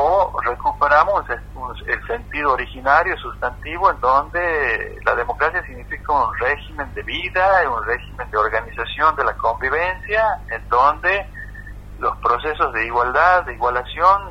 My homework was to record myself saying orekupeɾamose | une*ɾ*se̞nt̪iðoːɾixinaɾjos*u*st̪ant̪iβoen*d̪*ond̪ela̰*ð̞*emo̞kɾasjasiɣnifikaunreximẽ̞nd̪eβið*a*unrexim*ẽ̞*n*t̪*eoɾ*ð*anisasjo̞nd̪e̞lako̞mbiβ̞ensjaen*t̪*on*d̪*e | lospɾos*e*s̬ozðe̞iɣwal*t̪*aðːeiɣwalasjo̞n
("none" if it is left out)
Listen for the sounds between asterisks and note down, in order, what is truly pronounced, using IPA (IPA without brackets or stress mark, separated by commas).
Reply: l, u, d̪, ð̞, a, e̞, d̪, ɣ, d̪, d̪, e, d̪